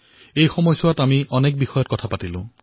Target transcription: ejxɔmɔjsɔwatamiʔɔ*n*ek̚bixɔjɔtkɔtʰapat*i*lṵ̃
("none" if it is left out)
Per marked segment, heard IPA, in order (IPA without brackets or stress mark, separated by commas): n, i